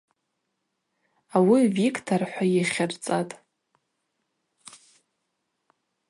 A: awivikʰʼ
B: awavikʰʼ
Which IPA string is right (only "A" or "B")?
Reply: A